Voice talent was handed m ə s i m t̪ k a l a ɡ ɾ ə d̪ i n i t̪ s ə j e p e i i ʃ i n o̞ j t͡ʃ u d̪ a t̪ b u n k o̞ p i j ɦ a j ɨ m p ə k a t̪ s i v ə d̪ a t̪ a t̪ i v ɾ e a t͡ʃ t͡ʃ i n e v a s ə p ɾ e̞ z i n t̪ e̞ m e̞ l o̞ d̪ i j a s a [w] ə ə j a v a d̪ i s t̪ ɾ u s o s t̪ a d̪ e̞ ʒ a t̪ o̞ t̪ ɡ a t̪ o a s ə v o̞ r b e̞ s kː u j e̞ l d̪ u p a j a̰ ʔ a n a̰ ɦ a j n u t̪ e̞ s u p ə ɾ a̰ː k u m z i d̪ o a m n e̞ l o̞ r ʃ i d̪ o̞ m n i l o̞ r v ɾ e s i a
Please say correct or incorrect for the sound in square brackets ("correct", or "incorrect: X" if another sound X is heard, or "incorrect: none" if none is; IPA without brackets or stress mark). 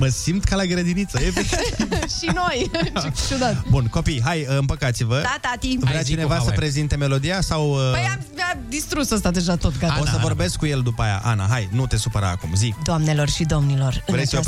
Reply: correct